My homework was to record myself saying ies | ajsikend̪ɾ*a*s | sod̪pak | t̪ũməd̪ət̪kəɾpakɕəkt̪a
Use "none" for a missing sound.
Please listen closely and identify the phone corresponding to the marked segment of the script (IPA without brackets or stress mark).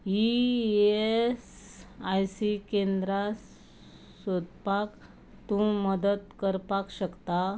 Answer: a